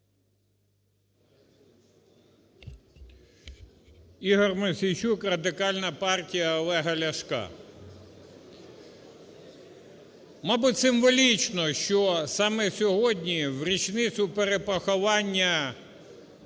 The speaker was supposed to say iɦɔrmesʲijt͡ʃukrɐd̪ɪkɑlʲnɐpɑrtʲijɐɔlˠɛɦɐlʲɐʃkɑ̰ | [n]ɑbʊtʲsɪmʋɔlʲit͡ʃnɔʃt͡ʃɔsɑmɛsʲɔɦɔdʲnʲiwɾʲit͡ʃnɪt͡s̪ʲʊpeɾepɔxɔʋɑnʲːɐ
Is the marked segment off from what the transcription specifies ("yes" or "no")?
yes